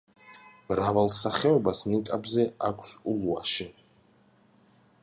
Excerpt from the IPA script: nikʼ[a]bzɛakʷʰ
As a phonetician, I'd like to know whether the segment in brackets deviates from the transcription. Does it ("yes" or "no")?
no